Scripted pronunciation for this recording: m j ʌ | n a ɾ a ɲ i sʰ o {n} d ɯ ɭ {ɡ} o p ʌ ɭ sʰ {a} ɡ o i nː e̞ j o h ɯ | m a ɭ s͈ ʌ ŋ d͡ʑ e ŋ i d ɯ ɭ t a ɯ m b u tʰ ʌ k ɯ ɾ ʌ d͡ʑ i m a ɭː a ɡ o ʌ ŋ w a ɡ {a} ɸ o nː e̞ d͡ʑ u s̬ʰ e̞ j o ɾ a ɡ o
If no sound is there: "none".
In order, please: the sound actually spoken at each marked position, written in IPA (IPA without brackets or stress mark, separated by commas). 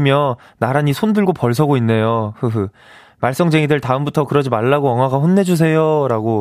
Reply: n, ɡ, ʌ, a